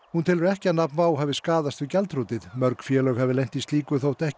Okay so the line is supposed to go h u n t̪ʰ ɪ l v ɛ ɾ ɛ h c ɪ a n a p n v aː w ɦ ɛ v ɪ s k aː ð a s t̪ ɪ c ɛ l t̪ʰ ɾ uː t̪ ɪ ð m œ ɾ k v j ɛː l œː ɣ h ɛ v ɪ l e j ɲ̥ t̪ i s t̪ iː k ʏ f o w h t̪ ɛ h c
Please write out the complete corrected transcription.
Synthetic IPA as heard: h u n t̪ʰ ɪ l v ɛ ɾ ɛ h c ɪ a n a p n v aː w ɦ ɛ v ɪ s k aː ð a s t̪ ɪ c ɛ l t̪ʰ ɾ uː t̪ ɪ ð m œ ɾ k f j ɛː l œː ɣ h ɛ v ɪ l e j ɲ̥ t̪ i s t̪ iː k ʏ θ o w h t̪ ɛ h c